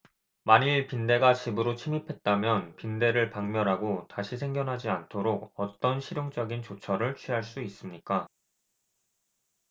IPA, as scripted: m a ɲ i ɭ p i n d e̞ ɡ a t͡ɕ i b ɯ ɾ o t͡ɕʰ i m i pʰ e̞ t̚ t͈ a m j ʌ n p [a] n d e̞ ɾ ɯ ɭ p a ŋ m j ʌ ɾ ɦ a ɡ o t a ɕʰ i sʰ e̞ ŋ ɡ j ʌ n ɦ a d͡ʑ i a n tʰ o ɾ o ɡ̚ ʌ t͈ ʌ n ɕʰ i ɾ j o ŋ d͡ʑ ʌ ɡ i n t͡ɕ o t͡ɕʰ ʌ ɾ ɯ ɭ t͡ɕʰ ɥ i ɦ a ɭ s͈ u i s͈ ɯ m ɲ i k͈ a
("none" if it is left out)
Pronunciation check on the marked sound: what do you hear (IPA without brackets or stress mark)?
i